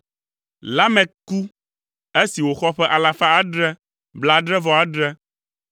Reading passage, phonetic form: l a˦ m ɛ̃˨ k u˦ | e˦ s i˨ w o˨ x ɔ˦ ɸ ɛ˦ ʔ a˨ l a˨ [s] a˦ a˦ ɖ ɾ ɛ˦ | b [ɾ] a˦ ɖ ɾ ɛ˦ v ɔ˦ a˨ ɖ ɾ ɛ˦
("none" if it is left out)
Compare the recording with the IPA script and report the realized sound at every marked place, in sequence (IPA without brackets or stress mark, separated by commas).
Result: f, l